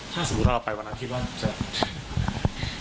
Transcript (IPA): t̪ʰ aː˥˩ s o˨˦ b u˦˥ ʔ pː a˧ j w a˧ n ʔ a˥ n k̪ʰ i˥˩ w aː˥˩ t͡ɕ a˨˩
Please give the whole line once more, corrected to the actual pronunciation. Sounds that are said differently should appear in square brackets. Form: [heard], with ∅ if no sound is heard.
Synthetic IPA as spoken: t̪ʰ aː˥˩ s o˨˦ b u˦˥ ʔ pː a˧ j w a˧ n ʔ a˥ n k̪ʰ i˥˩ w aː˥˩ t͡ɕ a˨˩